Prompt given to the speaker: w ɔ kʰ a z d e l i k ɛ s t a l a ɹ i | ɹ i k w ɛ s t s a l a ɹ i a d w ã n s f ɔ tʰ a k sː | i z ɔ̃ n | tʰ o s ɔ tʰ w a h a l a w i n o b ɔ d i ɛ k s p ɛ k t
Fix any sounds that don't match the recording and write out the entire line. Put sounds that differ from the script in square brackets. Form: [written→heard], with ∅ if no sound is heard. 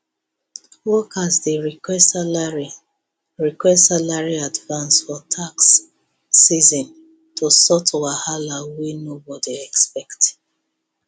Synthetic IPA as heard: w ɔ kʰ a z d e [l→ɹ] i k ɛ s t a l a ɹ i | ɹ i k w ɛ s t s a l a ɹ i a d [w→v] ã n s f ɔ tʰ a k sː | i z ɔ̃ n | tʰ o s ɔ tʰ w a h a l a w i n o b ɔ d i ɛ k s p ɛ k t